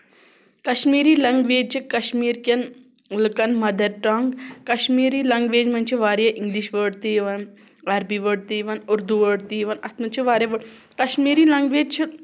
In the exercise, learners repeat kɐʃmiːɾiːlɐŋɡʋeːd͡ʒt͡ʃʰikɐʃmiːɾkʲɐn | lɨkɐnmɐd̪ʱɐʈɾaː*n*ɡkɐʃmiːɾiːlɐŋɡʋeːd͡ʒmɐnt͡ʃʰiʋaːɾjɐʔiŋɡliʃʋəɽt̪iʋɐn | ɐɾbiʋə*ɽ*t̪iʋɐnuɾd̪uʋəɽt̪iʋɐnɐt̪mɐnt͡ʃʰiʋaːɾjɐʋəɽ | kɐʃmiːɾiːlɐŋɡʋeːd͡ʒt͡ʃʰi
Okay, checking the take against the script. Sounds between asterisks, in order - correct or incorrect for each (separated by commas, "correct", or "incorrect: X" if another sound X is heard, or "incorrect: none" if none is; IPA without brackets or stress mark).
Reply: incorrect: ŋ, correct